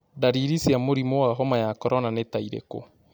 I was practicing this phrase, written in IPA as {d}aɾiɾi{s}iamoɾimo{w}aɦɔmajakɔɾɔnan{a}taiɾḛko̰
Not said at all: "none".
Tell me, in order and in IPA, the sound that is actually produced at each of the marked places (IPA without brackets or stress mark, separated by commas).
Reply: d, s, w, e